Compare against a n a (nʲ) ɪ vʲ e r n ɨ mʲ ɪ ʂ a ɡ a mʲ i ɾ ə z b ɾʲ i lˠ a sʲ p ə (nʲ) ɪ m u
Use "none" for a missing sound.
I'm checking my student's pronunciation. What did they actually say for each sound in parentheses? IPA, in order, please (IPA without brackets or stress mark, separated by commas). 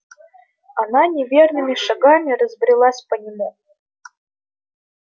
nʲ, nʲ